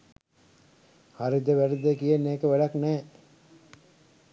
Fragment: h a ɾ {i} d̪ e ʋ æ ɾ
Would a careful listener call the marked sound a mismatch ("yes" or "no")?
no